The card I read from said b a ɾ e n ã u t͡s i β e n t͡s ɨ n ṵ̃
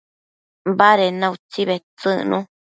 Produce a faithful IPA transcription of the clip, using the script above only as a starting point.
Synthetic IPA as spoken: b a ɾ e n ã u t͡s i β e t͡s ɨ n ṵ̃